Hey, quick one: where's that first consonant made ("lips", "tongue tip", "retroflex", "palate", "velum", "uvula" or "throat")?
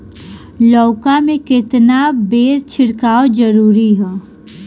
tongue tip